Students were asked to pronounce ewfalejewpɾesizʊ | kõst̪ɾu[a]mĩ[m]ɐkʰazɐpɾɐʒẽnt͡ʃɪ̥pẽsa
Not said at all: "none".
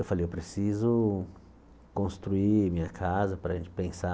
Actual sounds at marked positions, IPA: i, ɲ

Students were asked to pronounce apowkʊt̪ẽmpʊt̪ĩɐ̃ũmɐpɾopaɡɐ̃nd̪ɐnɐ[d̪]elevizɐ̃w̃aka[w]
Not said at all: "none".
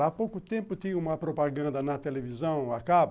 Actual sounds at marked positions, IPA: t̪, b

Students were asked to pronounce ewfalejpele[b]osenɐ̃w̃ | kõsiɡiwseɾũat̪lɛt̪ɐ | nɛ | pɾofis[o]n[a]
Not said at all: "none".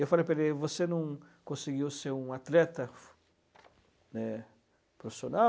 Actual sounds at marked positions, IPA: v, o, a

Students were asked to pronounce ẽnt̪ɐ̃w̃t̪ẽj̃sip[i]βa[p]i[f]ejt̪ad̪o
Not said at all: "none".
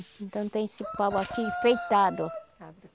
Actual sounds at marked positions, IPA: a, k, f

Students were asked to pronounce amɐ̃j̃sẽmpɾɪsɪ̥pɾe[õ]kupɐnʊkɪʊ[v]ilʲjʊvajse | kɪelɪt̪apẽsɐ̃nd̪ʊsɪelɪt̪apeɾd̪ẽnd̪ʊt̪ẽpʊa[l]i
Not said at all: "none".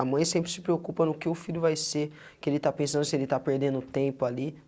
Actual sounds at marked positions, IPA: o, f, l

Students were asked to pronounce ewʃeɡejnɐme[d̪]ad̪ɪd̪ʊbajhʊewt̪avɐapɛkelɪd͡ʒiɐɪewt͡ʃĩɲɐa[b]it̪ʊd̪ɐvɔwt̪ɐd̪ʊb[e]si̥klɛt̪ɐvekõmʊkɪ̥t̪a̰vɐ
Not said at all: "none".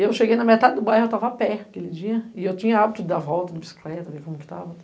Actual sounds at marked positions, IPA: t̪, b, i

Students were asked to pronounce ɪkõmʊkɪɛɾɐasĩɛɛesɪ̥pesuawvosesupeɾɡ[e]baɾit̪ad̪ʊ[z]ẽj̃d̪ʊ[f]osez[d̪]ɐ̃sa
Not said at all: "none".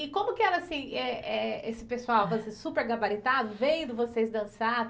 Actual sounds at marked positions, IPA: a, v, v, d̪

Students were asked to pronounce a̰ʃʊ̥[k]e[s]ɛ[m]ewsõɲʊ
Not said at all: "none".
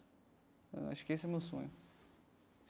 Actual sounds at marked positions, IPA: k, s, m

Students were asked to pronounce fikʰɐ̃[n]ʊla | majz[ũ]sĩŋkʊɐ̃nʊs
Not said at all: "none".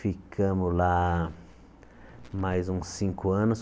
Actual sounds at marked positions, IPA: m, ũ

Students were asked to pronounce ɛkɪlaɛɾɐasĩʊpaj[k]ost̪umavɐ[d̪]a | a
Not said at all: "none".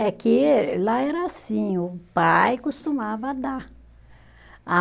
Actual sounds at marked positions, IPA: k, d̪

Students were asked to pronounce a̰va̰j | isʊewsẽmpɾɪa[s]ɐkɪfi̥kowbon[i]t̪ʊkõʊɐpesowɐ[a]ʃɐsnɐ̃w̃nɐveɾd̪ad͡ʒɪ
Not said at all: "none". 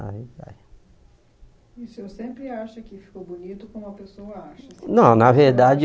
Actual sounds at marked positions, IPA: ʃ, i, a

